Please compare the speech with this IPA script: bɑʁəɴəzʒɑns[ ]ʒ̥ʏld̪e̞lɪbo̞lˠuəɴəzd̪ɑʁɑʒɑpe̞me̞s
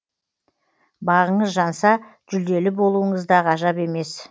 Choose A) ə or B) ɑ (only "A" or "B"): B